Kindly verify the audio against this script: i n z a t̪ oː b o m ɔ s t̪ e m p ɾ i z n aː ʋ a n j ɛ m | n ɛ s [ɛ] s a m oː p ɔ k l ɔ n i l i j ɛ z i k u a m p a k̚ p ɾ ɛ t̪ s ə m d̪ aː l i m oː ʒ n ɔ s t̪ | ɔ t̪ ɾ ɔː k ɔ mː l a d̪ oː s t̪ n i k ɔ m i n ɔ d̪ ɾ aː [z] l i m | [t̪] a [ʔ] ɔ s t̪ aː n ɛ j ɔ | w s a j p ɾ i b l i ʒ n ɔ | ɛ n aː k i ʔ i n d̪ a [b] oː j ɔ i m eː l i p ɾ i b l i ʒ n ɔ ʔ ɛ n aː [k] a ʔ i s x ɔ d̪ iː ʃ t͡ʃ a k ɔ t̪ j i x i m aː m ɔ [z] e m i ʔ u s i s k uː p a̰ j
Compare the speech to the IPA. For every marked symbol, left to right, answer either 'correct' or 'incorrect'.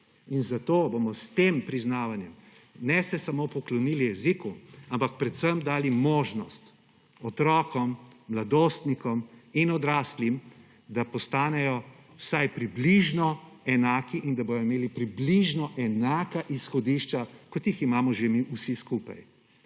correct, incorrect, incorrect, incorrect, correct, correct, incorrect

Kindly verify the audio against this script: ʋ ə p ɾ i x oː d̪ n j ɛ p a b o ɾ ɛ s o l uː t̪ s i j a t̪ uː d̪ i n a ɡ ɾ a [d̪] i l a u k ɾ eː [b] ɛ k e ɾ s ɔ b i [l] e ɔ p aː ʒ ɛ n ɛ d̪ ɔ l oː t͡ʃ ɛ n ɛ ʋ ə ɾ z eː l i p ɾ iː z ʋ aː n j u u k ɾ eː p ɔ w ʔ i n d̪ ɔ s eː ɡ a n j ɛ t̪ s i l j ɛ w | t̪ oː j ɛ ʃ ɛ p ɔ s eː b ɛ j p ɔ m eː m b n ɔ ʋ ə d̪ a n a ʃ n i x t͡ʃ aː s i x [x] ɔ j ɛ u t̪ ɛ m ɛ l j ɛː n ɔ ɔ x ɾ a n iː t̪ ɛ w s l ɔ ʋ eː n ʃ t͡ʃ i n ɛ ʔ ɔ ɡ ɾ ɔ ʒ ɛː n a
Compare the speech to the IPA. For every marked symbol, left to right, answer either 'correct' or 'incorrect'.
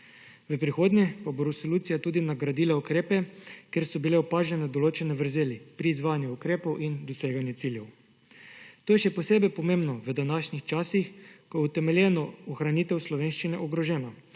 correct, incorrect, correct, incorrect

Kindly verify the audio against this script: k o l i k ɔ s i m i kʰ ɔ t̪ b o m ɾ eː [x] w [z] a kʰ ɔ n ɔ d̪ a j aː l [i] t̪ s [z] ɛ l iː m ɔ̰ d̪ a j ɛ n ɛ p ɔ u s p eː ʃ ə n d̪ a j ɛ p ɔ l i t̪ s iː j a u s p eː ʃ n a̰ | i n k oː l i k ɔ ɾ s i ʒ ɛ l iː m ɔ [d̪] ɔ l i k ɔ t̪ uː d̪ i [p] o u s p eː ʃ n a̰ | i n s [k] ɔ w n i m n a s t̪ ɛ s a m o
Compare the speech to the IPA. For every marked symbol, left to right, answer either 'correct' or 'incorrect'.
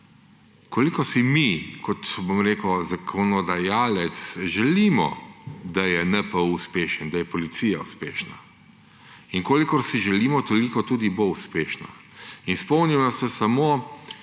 incorrect, correct, incorrect, incorrect, incorrect, incorrect, incorrect

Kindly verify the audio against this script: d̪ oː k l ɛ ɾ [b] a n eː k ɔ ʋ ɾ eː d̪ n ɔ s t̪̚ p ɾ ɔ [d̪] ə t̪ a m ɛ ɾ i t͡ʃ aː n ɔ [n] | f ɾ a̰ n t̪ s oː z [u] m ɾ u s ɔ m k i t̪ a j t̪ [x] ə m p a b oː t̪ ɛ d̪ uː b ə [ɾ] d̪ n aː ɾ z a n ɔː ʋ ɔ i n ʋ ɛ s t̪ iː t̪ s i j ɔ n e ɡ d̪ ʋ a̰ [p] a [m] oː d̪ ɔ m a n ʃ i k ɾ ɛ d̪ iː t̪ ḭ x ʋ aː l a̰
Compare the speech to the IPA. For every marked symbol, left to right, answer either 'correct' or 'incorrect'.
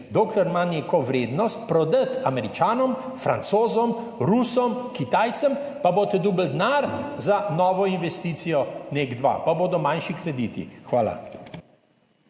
incorrect, correct, incorrect, incorrect, incorrect, incorrect, correct, incorrect

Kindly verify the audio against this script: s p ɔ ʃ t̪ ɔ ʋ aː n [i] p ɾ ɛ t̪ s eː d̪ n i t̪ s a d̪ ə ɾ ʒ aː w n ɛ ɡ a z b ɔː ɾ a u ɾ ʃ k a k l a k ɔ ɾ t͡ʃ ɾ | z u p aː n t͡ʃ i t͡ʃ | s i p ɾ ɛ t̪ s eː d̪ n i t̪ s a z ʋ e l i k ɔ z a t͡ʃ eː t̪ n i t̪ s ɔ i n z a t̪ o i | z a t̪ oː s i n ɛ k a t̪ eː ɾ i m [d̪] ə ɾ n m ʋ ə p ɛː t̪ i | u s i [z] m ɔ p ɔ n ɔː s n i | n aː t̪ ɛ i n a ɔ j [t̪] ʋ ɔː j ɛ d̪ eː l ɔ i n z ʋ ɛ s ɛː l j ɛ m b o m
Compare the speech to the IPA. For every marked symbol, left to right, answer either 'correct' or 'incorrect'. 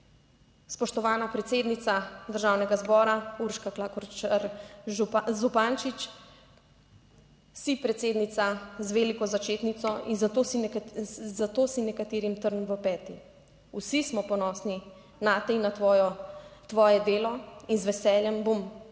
incorrect, incorrect, incorrect, correct

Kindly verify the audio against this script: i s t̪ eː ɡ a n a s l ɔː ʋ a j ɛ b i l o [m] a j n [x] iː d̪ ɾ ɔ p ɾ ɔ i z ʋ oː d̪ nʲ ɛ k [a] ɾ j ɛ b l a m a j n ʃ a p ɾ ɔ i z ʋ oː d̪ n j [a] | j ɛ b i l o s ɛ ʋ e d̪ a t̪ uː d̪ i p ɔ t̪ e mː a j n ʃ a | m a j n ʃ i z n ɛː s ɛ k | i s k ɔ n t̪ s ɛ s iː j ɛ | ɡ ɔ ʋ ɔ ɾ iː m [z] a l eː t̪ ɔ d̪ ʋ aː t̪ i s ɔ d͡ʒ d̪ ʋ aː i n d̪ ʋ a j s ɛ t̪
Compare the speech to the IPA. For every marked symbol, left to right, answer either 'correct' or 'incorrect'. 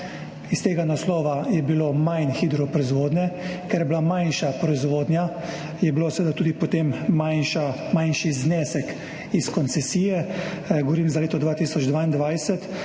correct, correct, incorrect, correct, correct

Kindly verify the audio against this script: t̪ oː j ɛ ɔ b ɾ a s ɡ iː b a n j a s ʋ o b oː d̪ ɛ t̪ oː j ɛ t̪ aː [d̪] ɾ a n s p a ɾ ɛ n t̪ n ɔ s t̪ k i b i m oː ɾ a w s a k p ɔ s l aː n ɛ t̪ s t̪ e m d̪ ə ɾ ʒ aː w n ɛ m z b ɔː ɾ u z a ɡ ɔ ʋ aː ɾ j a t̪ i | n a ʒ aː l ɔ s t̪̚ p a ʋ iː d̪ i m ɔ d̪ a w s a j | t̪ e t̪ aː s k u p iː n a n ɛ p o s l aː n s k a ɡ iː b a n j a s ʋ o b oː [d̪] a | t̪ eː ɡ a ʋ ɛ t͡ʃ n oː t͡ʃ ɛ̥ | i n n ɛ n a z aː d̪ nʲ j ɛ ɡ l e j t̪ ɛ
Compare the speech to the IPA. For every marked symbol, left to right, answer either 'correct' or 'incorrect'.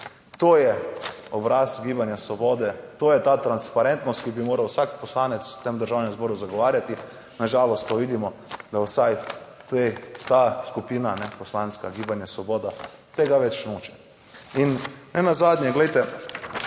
incorrect, correct

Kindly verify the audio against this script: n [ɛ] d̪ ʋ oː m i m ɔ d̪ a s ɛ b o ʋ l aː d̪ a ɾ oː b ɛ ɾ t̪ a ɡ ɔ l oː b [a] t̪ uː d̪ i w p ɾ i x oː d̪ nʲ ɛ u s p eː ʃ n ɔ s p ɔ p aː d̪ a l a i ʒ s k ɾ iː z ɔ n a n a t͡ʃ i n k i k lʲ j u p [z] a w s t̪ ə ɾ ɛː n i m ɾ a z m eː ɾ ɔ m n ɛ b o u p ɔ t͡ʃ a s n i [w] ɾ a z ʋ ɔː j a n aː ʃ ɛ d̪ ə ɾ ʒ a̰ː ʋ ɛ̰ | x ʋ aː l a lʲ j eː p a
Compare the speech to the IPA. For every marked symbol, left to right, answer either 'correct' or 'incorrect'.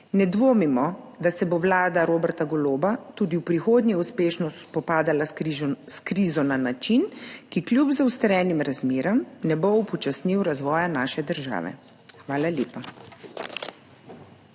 correct, correct, correct, correct

